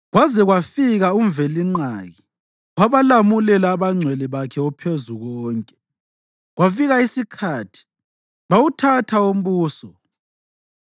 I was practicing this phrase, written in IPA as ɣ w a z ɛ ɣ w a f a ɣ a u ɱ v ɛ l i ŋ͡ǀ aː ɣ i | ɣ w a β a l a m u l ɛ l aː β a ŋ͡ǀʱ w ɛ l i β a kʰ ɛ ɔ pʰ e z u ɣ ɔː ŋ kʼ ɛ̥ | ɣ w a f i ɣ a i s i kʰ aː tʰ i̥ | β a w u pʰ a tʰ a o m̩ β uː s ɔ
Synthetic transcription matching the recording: ɣ w a z ɛ ɣ w a f i ɣ a u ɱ v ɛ l i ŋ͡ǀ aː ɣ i | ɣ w a β a l a m u l ɛ l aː β a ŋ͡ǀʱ w ɛ l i β a kʰ ɛ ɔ pʰ e z u ɣ ɔː ŋ kʼ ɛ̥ | ɣ w a f i ɣ a i s i kʰ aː tʰ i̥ | β a w u tʰ a tʰ a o m̩ β uː s ɔ